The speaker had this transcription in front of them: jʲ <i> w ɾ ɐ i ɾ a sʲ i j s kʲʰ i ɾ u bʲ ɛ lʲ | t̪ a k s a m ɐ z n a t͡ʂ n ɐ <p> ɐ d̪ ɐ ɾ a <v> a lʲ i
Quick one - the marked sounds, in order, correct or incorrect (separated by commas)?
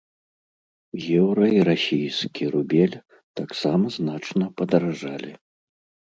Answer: incorrect, correct, incorrect